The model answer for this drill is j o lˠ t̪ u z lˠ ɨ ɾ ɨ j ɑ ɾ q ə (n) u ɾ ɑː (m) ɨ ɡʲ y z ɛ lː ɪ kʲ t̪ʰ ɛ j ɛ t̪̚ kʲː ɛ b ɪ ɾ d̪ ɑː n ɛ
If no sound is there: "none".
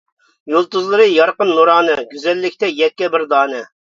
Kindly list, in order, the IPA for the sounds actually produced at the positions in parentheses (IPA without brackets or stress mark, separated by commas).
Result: nː, n